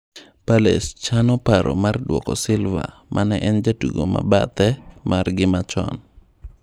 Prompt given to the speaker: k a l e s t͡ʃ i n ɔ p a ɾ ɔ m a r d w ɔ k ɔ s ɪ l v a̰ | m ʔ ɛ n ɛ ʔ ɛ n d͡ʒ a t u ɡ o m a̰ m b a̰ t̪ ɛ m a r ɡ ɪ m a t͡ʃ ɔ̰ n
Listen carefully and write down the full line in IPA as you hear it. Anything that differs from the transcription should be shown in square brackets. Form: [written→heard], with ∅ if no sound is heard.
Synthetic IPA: [k→p] a l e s t͡ʃ [i→a] n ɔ p a ɾ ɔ m a r d w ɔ k ɔ s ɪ l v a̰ | m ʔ [ɛ→a] n ɛ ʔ ɛ n d͡ʒ a t u ɡ o m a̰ [m→∅] b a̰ t̪ ɛ m a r ɡ ɪ m a t͡ʃ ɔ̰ n